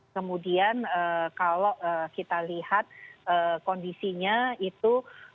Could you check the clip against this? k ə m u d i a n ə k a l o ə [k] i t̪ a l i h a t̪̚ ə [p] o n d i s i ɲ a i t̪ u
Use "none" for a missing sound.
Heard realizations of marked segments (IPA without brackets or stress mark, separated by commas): k, k